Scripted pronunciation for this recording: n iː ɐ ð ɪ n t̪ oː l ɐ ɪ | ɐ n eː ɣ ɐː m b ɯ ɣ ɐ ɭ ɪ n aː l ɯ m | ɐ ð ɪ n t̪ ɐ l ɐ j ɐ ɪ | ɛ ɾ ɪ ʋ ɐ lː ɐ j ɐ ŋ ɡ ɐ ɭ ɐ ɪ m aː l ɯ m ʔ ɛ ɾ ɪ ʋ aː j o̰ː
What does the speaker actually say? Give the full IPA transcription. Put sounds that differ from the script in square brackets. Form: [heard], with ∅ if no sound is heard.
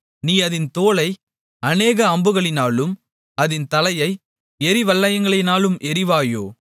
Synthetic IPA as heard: n iː ɐ ð ɪ n t̪ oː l ɐ ɪ | ɐ n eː ɣ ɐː m b ɯ ɣ ɐ ɭ ɪ n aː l ɯ m | ɐ ð ɪ n t̪ ɐ l ɐ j ɐ ɪ | ɛ ɾ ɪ ʋ ɐ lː ɐ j ɐ ŋ ɡ ɐ ɭ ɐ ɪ [n] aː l ɯ m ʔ ɛ ɾ ɪ ʋ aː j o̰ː